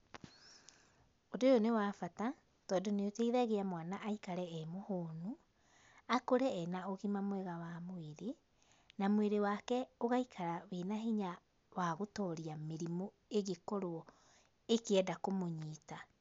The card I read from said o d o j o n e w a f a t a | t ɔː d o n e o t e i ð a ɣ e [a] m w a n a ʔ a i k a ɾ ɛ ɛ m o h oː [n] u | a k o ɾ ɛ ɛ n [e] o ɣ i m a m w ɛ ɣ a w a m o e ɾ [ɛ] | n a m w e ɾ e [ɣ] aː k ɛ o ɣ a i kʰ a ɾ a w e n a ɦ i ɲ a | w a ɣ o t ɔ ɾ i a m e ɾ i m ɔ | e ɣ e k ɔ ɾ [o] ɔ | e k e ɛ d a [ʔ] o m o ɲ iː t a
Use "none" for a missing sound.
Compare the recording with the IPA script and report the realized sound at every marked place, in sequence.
a, n, a, e, w, o, k

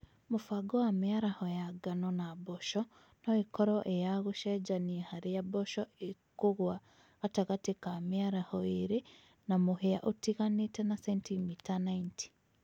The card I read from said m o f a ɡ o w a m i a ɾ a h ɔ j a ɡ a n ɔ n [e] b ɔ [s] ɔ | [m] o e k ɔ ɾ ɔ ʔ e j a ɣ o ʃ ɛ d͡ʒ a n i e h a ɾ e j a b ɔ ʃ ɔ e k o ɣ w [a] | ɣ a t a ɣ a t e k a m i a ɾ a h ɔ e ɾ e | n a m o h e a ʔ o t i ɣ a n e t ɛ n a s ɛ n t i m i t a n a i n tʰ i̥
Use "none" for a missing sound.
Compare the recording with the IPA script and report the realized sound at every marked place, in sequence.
a, ʃ, n, a

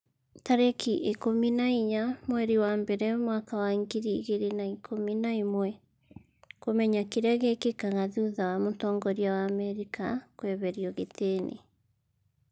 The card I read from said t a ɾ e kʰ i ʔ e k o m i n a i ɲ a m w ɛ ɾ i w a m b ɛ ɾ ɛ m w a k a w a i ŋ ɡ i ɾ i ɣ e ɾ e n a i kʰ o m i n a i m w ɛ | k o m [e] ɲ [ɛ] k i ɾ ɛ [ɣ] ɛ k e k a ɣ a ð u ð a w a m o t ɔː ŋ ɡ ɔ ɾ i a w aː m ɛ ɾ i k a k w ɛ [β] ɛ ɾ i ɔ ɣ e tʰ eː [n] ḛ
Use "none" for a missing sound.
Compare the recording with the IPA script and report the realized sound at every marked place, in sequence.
ɛ, a, ɣ, β, n

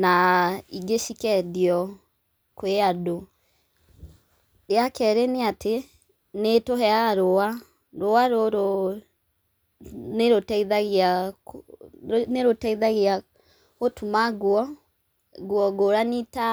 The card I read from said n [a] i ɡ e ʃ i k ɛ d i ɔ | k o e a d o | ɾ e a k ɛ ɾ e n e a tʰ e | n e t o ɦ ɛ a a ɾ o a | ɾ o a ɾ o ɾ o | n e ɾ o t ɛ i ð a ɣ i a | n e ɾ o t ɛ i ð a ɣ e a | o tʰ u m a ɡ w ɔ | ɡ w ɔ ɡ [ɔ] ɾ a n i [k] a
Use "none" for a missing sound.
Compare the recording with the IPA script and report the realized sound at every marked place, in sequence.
a, o, t

